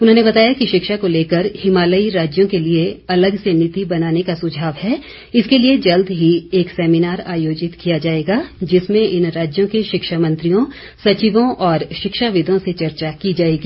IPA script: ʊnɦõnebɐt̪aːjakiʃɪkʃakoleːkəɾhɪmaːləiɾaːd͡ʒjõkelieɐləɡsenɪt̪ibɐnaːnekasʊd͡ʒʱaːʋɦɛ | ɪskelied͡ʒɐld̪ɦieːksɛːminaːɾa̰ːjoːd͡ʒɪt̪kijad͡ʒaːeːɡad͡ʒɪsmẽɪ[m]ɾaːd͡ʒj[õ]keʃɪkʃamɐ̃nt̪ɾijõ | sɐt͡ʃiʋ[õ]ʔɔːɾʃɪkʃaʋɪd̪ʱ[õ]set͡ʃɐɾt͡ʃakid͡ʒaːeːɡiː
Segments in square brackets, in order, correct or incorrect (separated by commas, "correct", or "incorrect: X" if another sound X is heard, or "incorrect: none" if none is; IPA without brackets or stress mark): incorrect: n, correct, correct, correct